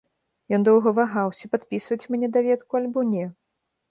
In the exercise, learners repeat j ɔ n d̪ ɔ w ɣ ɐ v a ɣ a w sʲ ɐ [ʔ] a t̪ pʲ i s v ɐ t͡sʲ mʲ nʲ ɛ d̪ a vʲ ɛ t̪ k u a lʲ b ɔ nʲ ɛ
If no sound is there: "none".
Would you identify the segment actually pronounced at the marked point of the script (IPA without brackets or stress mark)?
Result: p